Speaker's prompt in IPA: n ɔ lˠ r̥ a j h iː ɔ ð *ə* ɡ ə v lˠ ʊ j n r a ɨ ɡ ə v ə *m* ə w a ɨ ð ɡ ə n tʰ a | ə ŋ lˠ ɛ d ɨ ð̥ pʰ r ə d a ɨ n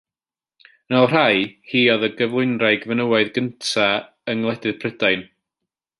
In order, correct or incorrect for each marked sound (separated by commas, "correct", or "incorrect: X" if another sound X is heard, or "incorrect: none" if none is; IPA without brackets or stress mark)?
correct, incorrect: n